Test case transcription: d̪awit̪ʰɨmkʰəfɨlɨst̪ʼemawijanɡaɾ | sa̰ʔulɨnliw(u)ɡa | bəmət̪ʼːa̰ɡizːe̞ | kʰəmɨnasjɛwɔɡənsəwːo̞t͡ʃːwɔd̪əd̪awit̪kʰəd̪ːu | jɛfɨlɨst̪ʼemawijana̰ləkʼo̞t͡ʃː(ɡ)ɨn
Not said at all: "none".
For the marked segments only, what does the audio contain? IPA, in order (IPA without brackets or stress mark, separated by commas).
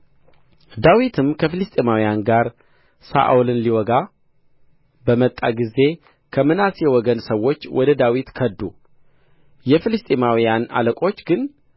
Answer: ɔ, ɡ